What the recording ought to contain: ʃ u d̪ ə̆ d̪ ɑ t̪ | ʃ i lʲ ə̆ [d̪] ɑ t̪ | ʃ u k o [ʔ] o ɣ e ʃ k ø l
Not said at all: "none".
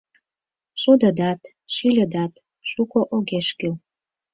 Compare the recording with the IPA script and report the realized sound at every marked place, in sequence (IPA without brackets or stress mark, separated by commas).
d̪, ʔ